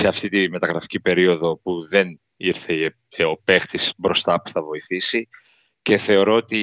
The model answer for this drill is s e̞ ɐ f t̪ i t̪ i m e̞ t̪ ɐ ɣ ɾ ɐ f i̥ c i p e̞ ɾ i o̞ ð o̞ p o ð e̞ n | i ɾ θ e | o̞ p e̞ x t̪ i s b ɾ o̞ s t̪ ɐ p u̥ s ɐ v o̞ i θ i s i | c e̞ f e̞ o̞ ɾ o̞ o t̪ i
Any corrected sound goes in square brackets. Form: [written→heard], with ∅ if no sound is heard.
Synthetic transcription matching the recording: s e̞ ɐ f t̪ i t̪ i m e̞ t̪ ɐ ɣ ɾ ɐ f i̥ c i p e̞ ɾ i o̞ ð o̞ p [o→u] ð e̞ n | i ɾ θ e | o̞ p e̞ x t̪ i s b ɾ o̞ s t̪ ɐ p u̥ [s→θ] ɐ v o̞ i θ i s i | c e̞ [f→θ] e̞ o̞ ɾ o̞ o t̪ i